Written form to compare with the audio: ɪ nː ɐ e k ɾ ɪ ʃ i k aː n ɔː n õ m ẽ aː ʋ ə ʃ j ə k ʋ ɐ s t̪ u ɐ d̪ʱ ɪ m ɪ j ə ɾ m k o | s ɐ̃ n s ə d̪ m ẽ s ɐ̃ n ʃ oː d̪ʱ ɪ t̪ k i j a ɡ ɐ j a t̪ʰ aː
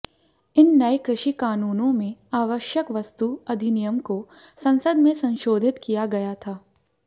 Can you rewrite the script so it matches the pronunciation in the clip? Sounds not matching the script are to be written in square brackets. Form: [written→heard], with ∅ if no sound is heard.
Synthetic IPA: ɪ nː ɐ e k ɾ ɪ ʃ i k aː n [ɔː→uː] n õ m ẽ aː ʋ ə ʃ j ə k ʋ ɐ s t̪ u ɐ d̪ʱ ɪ [m→n] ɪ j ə [ɾ→∅] m k o | s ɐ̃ n s ə d̪ m ẽ s ɐ̃ n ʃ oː d̪ʱ ɪ t̪ k i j a ɡ ɐ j a t̪ʰ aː